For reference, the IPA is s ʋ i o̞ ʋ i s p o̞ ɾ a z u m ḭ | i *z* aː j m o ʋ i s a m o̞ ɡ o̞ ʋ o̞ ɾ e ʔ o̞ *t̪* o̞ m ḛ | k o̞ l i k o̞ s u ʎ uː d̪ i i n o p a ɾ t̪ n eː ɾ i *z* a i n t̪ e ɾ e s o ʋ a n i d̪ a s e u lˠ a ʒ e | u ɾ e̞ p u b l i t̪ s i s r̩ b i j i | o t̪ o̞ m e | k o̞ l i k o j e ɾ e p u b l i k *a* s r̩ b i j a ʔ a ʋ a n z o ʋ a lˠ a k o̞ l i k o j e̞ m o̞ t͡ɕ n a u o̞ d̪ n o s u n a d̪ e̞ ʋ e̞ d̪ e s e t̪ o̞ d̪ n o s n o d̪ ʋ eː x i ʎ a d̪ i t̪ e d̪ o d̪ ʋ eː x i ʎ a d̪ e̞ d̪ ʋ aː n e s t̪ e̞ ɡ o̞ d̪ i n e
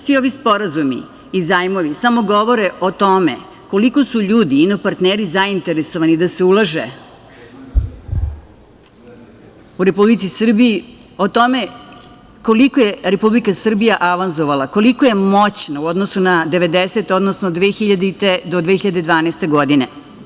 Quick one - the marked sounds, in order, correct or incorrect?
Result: correct, correct, correct, correct

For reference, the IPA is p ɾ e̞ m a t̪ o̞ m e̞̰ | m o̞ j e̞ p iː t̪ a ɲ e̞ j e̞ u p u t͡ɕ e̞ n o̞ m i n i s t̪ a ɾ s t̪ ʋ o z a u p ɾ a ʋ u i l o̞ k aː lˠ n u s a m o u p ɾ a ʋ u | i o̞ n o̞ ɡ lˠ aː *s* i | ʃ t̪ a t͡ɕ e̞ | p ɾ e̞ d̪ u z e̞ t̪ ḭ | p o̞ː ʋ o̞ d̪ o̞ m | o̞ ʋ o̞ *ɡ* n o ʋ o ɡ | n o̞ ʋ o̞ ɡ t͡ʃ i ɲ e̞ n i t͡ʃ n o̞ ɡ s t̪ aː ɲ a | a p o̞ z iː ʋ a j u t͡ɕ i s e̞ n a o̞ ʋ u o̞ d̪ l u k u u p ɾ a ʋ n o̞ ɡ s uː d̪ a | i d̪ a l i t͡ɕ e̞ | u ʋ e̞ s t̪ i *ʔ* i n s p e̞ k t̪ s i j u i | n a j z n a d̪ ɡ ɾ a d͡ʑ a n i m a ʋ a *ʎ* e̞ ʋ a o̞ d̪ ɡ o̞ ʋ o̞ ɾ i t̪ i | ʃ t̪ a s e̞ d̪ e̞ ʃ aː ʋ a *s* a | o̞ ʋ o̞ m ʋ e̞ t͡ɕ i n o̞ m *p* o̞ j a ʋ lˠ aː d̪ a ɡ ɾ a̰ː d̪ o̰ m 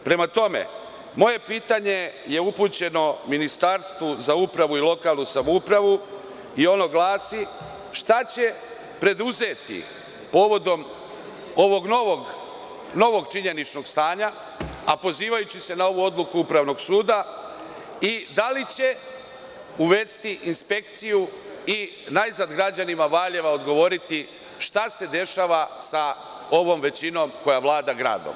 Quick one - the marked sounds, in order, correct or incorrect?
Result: correct, correct, correct, correct, correct, incorrect: k

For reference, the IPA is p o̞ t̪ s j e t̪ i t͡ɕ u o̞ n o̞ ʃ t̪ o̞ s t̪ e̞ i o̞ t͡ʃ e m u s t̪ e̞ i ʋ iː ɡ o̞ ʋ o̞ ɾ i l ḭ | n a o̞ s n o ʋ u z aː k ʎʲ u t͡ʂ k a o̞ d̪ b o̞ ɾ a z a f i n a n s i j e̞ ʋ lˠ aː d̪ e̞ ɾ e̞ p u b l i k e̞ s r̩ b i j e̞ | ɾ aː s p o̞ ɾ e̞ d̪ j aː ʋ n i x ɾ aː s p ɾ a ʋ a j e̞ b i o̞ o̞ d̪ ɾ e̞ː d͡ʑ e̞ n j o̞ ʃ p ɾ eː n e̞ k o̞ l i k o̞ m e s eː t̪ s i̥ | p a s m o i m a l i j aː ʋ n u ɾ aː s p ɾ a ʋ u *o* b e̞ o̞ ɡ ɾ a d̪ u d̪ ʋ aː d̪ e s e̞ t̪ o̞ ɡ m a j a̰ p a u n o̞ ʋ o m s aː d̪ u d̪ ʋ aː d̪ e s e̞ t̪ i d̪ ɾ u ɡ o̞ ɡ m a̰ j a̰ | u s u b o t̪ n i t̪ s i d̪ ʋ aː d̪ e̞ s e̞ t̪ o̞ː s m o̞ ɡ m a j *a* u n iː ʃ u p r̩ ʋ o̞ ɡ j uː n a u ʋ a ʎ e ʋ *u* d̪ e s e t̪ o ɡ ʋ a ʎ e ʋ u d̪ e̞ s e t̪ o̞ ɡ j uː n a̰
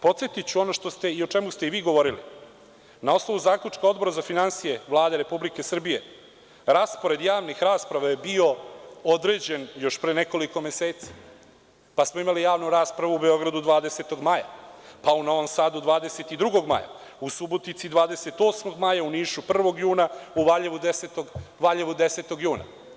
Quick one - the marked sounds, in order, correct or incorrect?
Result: incorrect: u, correct, correct

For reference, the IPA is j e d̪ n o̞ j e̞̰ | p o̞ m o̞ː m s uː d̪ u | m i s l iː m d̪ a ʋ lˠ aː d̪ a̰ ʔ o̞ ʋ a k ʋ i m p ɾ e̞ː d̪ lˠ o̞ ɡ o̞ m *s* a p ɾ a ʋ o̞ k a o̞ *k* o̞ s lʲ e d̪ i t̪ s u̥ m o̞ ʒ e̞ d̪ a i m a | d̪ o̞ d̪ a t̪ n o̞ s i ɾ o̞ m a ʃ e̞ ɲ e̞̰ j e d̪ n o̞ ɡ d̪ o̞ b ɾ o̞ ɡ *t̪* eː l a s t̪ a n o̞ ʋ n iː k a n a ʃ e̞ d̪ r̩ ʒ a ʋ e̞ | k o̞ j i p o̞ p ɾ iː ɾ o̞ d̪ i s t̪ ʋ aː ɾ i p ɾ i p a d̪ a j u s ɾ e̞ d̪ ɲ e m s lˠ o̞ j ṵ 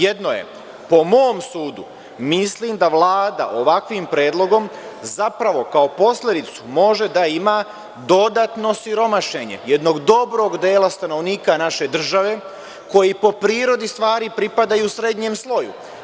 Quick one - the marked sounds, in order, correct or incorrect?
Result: incorrect: z, incorrect: p, incorrect: d̪

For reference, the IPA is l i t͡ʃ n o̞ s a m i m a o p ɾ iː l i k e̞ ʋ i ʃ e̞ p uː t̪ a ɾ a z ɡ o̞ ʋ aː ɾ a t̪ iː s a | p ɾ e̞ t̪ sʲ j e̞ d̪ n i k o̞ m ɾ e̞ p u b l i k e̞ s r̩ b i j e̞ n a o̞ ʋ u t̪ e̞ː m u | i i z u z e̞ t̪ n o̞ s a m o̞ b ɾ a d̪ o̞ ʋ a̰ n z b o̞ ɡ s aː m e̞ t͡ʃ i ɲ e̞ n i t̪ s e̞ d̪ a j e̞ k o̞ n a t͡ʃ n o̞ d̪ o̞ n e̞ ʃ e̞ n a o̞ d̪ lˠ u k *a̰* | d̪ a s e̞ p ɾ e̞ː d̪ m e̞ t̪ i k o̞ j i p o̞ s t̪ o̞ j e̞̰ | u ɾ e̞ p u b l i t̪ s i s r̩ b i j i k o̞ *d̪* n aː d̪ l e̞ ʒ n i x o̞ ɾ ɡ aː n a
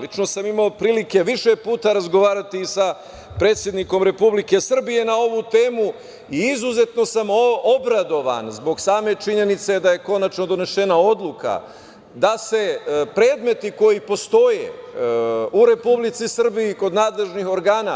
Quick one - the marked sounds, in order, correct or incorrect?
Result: correct, correct

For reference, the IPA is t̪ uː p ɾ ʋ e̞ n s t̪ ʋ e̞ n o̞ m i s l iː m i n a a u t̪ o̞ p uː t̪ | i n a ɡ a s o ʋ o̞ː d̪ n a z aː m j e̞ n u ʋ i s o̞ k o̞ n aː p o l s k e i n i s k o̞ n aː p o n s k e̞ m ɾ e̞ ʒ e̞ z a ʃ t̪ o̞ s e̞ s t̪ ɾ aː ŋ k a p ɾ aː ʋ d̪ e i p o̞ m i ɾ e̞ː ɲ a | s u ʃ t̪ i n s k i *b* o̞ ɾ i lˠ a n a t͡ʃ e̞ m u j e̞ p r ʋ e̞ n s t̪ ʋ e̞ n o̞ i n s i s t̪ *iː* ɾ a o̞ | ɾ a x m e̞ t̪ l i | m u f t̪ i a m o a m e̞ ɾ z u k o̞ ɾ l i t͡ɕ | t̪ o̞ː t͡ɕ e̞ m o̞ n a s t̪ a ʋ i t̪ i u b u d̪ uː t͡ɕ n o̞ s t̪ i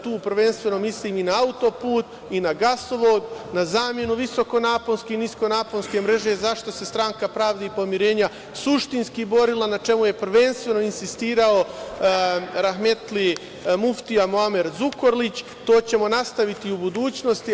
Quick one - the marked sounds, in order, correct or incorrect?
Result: correct, correct

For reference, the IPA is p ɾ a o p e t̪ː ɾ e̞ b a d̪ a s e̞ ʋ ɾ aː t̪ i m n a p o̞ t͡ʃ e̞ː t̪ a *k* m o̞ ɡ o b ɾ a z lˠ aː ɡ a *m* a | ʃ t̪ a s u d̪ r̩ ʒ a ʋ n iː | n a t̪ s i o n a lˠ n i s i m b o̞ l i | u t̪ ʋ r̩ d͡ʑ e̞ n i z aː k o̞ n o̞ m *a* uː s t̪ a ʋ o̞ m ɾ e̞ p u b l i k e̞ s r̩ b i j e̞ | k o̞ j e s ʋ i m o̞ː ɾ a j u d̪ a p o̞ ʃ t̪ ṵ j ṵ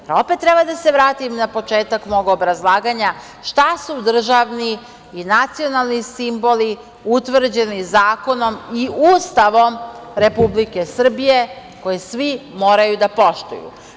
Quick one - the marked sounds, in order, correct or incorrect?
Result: correct, incorrect: ɲ, incorrect: i

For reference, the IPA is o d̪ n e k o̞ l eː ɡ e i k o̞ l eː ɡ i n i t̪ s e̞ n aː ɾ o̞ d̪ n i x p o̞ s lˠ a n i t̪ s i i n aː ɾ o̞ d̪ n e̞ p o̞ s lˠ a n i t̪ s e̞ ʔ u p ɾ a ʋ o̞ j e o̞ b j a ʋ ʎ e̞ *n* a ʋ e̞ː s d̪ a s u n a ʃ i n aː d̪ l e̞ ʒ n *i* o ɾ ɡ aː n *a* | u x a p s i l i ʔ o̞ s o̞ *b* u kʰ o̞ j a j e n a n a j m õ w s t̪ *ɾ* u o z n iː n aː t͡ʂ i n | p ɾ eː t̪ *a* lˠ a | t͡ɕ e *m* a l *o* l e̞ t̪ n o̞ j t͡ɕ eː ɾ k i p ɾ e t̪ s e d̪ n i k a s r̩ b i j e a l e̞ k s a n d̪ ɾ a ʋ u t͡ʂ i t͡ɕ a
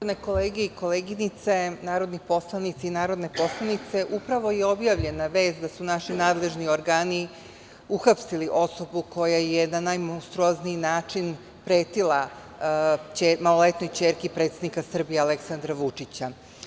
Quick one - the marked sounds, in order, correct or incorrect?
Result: correct, correct, incorrect: i, correct, correct, incorrect: i, correct, correct

